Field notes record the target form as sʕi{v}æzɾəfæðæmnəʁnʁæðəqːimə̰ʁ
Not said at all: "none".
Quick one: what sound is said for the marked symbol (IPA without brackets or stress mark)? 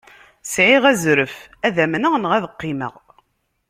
ʁ